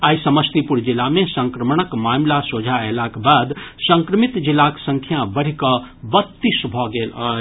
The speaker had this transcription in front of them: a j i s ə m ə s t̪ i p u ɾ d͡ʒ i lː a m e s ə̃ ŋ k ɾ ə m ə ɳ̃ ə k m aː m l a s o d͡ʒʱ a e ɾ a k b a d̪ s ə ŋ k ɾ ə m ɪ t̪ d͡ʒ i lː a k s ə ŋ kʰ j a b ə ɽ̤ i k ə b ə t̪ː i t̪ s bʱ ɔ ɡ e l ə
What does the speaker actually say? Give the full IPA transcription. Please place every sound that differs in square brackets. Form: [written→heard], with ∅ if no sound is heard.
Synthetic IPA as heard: a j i s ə m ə s t̪ i p u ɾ d͡ʒ i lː a m e s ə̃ ŋ k ɾ ə m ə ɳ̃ ə k m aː m l a s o d͡ʒʱ a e [ɾ→l] a k b a d̪ s ə ŋ k ɾ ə m [ɪ→i] t̪ d͡ʒ i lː a k s ə ŋ kʰ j a b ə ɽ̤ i k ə b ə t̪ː i [t̪→∅] s bʱ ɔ ɡ e l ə